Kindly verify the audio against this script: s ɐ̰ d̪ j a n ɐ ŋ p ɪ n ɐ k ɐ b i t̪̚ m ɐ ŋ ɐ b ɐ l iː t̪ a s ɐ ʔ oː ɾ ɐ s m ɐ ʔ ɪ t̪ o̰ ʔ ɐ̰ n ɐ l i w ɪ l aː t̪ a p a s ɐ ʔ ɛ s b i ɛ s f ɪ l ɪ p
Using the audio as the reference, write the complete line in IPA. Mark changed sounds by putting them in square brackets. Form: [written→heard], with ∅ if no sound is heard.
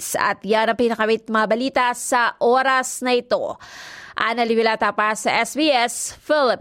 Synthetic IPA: s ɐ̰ [d̪→t̪] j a n ɐ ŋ p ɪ n ɐ k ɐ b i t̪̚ m ɐ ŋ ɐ b ɐ l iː t̪ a s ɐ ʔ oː ɾ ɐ s [m→n] ɐ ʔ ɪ t̪ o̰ ʔ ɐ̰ n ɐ l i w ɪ l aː t̪ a p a s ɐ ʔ ɛ s b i ɛ s f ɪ l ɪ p